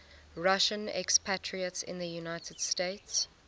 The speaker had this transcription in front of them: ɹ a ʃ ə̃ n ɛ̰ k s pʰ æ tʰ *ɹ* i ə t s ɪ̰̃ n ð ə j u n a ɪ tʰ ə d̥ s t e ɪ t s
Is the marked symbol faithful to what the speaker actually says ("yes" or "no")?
yes